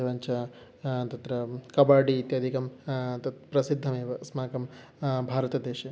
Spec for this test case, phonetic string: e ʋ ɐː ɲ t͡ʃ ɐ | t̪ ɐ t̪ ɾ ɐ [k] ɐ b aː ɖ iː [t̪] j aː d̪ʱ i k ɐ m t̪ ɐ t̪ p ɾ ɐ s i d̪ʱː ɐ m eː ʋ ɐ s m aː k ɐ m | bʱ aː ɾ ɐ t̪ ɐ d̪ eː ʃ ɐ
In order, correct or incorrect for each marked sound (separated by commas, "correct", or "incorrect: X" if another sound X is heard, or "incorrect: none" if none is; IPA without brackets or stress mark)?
correct, correct